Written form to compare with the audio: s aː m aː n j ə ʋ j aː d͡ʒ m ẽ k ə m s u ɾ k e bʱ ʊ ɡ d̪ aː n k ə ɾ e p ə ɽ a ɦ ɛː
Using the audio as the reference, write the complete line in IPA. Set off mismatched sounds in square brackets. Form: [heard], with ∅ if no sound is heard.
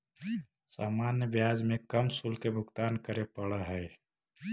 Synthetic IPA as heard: s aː m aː n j ə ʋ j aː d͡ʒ m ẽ k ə m s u [l] k e bʱ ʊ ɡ [t̪] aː n k ə ɾ e p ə ɽ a ɦ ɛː